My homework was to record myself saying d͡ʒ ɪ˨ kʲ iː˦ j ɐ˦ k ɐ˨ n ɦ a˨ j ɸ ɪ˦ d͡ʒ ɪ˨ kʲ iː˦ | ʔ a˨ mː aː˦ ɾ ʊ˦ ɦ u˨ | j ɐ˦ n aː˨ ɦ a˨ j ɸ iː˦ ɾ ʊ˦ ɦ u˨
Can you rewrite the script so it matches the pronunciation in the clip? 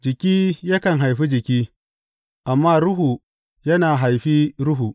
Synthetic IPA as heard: d͡ʒ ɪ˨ kʲ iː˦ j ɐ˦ k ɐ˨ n ɦ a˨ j ɸ i˦ d͡ʒ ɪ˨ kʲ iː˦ | ʔ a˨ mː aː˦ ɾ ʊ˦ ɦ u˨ | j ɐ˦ n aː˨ ɦ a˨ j ɸ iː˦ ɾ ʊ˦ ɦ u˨